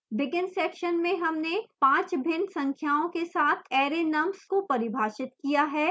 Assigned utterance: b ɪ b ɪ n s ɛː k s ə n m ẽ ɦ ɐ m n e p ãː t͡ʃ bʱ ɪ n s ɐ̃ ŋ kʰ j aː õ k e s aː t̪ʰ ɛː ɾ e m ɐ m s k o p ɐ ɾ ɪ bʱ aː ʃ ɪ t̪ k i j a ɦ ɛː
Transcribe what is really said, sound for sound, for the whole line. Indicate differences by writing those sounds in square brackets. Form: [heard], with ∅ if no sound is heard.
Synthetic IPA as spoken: b ɪ [ɡ] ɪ n s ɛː k [ʃ] ə n m ẽ ɦ ɐ m n e p ãː t͡ʃ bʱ ɪ n s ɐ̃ ŋ kʰ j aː õ k e s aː t̪ʰ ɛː ɾ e [n] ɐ m s k o p ɐ ɾ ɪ bʱ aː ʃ ɪ t̪ k i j a ɦ ɛː